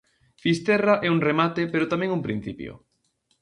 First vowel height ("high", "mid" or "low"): high